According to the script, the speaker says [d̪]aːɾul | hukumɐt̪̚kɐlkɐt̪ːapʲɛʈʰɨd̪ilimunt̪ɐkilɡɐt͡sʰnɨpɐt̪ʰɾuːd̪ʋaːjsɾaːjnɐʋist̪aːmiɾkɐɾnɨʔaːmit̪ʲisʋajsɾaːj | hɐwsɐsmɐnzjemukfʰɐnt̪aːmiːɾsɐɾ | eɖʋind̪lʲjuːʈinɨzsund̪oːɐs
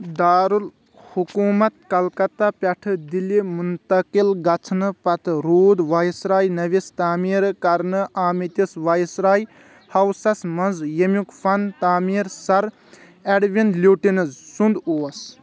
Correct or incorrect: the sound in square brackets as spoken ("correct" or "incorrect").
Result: correct